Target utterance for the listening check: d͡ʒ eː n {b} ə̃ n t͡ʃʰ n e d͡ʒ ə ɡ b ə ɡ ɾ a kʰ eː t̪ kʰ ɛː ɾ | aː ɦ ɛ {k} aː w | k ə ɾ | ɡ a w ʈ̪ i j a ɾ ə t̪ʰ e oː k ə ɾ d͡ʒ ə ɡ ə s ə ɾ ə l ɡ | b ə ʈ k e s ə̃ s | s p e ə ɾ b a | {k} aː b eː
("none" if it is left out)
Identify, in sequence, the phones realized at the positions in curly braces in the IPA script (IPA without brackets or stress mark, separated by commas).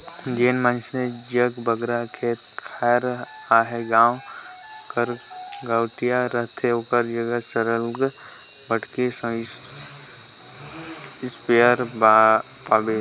m, ɡ, p